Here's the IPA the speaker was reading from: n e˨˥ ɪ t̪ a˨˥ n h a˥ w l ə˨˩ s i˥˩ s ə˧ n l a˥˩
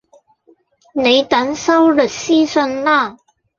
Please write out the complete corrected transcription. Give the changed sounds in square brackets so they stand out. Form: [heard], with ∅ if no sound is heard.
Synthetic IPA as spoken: n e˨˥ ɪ t̪ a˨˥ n [s] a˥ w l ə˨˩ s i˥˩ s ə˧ n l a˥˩

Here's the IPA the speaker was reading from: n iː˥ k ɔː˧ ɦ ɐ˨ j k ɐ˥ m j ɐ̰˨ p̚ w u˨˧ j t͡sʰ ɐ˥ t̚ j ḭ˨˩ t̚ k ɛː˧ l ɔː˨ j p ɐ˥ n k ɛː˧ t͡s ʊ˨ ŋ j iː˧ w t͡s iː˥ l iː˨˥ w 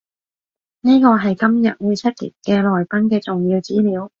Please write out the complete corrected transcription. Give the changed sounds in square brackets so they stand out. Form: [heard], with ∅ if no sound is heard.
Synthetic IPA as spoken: n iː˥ k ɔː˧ ɦ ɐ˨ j k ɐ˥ m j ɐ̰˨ [t̚] w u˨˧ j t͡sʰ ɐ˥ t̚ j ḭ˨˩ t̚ k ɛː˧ l ɔː˨ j p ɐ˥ n k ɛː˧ t͡s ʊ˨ ŋ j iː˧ w t͡s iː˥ l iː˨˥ w

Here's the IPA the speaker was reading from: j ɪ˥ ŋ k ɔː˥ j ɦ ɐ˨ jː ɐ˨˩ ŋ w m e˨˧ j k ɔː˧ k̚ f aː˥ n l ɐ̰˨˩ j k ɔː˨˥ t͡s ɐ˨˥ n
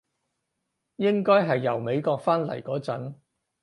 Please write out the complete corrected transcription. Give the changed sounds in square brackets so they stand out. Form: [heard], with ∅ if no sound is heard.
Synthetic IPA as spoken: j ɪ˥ ŋ k ɔː˥ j ɦ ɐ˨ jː ɐ˨˩ [∅] w m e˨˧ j k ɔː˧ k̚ f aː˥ n l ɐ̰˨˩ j k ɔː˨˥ t͡s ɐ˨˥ n

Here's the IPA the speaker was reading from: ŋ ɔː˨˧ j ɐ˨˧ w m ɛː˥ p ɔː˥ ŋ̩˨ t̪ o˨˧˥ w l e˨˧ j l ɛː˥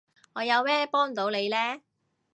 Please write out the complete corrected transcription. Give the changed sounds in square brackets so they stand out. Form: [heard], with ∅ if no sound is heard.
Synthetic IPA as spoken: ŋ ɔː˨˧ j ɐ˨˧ w m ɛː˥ p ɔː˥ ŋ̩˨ t̪ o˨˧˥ w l e˨˧ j l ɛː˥

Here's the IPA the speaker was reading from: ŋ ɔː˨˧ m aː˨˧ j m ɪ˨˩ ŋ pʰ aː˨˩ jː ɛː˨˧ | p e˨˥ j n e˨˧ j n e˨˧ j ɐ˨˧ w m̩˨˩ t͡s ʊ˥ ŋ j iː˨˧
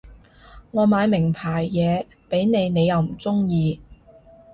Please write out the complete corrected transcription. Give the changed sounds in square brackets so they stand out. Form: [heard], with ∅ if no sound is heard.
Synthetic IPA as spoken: ŋ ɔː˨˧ m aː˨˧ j m ɪ˨˩ ŋ pʰ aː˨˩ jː ɛː˨˧ | p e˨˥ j n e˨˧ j n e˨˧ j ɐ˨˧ w m̩˨˩ t͡s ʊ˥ ŋ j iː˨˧

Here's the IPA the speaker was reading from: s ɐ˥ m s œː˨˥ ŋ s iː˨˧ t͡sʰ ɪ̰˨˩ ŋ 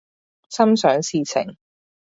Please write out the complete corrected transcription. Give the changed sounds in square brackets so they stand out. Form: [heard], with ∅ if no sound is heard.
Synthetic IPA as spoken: s ɐ˥ m s œː˨˥ ŋ s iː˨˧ t͡sʰ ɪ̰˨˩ ŋ

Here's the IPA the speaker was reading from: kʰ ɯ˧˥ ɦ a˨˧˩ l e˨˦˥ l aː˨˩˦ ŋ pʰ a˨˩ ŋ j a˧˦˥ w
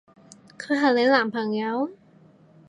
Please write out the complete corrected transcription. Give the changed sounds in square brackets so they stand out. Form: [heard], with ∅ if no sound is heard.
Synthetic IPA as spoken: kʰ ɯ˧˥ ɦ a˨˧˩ l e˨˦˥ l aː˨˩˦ [m] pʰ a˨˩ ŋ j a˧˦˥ w

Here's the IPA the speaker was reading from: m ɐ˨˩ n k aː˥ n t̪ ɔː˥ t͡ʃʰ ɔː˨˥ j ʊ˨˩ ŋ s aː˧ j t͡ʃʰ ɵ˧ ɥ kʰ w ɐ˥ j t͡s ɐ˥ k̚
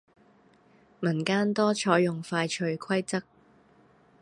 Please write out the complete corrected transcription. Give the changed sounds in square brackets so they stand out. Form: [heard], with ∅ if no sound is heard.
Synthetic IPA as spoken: m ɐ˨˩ n k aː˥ n t̪ ɔː˥ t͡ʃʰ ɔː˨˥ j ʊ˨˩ ŋ [f] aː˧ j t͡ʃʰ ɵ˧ ɥ kʰ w ɐ˥ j t͡s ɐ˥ k̚

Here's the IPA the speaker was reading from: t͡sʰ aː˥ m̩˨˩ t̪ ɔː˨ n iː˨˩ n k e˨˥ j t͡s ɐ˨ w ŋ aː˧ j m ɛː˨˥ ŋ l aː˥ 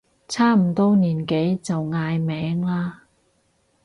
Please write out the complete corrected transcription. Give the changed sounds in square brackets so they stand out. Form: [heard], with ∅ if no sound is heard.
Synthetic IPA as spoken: t͡sʰ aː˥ m̩˨˩ t̪ [ɔː˥] n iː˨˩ n k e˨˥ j t͡s ɐ˨ w ŋ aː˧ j m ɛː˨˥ ŋ l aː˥

